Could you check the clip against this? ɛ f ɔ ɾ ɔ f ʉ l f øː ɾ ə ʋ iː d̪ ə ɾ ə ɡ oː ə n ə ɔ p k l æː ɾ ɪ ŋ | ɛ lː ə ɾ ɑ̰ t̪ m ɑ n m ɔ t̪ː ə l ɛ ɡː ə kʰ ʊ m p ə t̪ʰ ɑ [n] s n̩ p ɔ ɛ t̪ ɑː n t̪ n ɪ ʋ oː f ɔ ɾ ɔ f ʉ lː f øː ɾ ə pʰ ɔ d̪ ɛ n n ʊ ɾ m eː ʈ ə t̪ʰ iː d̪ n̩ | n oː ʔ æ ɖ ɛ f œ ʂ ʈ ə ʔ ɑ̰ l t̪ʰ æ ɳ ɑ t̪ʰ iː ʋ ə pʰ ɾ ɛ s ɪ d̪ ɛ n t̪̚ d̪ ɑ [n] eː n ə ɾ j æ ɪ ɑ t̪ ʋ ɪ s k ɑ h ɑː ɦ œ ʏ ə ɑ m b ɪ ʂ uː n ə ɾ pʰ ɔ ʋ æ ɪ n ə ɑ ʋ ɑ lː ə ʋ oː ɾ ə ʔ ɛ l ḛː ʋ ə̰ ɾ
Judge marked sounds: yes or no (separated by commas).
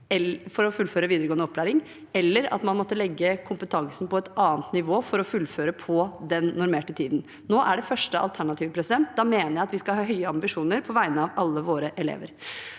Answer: no, no